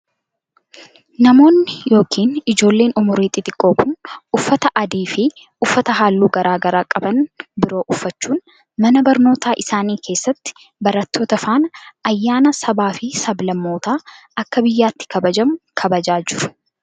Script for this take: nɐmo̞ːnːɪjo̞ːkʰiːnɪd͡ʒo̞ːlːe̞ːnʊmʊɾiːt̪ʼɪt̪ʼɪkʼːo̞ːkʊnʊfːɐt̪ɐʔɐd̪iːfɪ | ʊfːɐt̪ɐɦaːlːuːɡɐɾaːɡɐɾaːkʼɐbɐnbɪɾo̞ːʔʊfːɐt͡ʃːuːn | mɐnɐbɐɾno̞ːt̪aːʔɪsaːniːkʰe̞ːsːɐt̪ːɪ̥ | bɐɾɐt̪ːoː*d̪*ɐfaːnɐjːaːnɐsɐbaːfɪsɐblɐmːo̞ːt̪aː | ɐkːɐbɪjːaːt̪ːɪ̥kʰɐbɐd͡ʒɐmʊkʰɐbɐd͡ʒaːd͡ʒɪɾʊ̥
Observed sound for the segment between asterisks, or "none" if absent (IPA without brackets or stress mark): t̪